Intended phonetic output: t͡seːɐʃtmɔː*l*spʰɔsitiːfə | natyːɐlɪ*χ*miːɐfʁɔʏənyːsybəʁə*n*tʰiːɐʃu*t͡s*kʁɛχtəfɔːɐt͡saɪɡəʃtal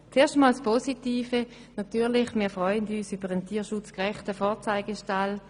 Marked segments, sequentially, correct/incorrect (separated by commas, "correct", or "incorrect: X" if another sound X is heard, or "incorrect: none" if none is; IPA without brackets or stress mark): correct, correct, correct, correct